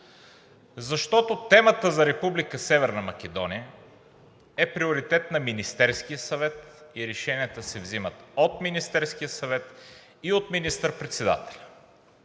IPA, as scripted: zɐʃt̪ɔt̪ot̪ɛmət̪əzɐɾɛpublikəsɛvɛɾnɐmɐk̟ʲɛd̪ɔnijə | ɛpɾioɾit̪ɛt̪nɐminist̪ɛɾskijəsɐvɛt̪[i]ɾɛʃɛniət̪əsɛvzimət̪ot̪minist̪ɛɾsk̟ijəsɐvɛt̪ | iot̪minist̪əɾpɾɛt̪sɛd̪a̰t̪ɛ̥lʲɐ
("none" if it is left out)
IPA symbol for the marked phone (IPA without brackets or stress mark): i